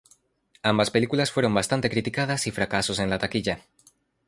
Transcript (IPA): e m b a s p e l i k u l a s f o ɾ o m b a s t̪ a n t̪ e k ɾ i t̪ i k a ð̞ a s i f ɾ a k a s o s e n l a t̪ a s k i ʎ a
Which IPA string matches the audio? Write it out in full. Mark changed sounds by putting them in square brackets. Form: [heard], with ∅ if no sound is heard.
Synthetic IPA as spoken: [a] m b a s p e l i k u l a s f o ɾ o m b a s t̪ a n t̪ e k ɾ i t̪ i k a ð̞ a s i f ɾ a k a s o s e n l a t̪ a [∅] k i ʎ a